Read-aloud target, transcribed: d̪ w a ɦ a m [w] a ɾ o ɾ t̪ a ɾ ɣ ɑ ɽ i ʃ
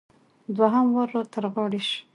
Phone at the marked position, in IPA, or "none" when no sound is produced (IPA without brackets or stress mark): w